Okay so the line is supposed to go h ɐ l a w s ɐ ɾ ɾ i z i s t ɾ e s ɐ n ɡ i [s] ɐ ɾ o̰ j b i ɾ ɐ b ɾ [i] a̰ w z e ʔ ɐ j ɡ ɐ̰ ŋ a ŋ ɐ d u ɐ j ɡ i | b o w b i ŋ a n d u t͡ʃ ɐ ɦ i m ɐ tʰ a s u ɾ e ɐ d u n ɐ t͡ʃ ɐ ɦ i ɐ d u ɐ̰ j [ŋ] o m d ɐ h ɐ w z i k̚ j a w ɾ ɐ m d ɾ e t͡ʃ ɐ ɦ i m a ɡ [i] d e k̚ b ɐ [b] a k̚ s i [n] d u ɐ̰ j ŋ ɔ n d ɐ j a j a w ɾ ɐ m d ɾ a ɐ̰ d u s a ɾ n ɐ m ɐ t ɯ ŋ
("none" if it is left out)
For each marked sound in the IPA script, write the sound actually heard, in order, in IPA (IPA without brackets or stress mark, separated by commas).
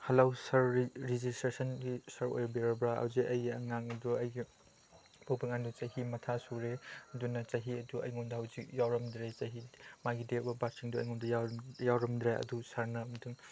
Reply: s, a, ŋ, i, b, ŋ